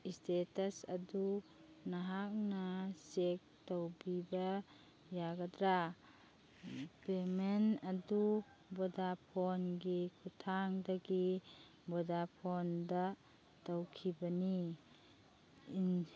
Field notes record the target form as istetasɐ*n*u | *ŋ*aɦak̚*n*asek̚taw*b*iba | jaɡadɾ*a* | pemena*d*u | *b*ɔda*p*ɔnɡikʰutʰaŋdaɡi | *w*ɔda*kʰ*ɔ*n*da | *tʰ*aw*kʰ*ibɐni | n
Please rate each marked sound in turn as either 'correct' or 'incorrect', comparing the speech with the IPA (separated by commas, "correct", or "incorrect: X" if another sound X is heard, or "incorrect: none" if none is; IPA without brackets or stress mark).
incorrect: d, incorrect: n, correct, correct, correct, correct, correct, incorrect: pʰ, incorrect: b, incorrect: pʰ, correct, incorrect: t, correct